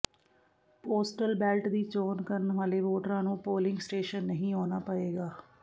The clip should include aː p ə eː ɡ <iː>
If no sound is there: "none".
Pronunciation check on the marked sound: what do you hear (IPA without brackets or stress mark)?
aː